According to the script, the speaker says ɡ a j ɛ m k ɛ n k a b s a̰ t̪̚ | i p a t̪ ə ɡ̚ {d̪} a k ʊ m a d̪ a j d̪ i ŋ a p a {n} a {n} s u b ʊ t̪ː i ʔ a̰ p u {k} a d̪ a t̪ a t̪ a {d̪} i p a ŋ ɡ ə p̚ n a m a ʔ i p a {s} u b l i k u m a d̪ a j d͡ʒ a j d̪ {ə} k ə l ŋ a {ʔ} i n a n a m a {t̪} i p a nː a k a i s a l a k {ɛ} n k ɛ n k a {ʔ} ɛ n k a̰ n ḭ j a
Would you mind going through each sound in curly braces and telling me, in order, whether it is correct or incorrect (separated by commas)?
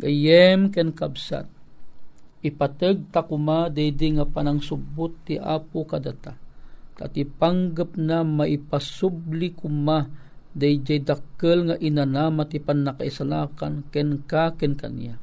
incorrect, correct, incorrect, correct, incorrect, correct, incorrect, correct, correct, incorrect, incorrect